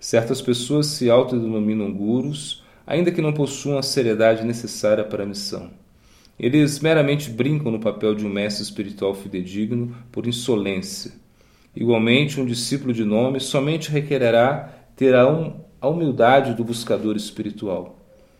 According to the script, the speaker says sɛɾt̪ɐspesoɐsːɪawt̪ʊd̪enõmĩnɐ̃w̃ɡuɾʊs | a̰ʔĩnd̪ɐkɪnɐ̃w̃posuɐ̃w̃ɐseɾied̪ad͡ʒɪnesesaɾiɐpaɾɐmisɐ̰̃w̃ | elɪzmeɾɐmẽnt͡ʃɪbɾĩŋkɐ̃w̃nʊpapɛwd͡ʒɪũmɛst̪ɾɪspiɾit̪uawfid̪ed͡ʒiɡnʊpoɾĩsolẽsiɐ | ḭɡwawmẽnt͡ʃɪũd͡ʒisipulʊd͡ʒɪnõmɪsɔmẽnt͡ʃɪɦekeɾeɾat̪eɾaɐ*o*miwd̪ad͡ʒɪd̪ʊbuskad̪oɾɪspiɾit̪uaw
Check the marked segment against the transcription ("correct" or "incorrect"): incorrect